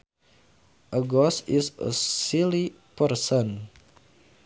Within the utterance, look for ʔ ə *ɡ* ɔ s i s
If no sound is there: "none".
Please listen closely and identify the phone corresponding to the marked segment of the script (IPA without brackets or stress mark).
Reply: ɡ